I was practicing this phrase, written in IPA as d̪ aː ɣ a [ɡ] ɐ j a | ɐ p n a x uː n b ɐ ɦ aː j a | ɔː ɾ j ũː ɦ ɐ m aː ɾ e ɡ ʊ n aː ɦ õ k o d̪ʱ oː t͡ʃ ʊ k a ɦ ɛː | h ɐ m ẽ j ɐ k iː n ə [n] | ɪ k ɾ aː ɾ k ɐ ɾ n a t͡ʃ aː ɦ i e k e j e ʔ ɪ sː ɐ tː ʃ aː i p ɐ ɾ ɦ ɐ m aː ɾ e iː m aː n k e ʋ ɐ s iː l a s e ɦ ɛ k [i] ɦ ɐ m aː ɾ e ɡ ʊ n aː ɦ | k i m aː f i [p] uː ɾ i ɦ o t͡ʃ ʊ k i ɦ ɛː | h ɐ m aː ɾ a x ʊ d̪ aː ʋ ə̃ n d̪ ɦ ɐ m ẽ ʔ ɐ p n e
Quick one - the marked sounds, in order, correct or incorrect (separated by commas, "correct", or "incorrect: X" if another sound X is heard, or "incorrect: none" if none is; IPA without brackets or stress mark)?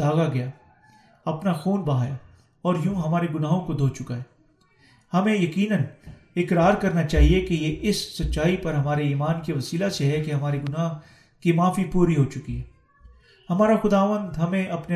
correct, correct, incorrect: e, correct